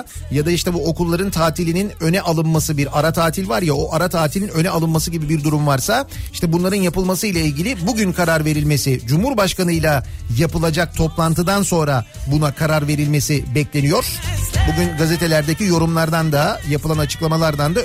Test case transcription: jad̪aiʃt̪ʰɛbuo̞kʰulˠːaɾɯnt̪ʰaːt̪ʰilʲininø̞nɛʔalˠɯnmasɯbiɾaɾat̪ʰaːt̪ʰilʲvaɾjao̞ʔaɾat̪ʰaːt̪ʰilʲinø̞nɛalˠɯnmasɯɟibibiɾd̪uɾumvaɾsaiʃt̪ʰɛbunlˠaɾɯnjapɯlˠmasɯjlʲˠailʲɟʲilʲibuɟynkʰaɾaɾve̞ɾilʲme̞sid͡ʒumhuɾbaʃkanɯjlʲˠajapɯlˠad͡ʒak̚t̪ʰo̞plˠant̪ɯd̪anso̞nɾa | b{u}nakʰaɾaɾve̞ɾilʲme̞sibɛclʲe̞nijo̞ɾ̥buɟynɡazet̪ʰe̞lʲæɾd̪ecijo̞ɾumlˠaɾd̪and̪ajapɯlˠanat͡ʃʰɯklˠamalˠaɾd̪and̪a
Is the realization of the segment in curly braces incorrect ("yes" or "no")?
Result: no